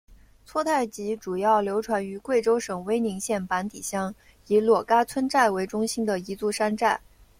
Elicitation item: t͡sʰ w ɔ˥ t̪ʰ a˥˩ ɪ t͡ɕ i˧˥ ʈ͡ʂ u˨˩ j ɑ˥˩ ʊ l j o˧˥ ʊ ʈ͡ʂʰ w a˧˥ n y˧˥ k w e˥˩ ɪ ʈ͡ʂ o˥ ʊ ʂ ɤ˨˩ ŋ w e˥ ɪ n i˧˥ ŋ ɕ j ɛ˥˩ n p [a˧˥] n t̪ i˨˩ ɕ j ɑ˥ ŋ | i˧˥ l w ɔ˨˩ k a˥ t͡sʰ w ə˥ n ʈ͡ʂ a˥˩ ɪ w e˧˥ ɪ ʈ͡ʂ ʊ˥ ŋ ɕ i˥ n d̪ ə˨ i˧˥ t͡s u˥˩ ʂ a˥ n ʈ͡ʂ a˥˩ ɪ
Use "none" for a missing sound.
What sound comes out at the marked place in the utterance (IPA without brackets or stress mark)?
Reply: a˧˥